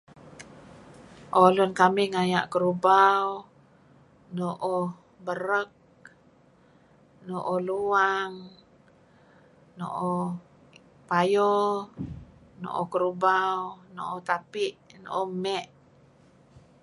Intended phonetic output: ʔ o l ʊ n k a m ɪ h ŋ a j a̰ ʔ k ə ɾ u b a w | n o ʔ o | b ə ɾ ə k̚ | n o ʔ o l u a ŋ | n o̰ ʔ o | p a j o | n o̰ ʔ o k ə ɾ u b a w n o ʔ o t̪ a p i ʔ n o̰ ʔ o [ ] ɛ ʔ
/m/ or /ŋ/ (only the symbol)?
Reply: m